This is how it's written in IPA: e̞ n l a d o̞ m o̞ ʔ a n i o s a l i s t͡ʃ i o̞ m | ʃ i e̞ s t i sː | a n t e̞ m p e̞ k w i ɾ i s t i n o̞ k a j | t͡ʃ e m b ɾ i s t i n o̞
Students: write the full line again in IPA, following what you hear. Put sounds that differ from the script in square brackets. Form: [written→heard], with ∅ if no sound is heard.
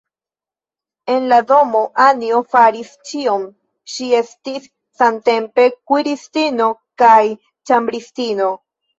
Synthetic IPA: e̞ n l a d o̞ m o̞ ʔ a n i o [s→f] a [l→ɾ] i s t͡ʃ i o̞ m | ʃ i e̞ s t i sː | a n t e̞ m p e̞ k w i ɾ i s t i n o̞ k a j | t͡ʃ [e→a] m b ɾ i s t i n o̞